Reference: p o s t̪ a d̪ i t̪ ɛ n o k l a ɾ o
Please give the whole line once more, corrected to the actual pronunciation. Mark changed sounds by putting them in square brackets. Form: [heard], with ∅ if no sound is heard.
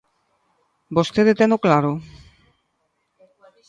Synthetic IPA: [b] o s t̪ [e] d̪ [e] t̪ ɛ n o k l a ɾ o